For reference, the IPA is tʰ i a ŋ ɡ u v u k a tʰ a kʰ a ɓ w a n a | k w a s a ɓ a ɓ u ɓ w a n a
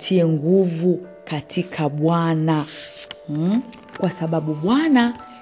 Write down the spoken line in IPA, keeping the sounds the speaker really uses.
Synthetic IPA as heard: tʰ i ɛ ŋ ɡ u v u k a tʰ i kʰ a ɓ w a n a | k w a s a ɓ a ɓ u ɓ w a n a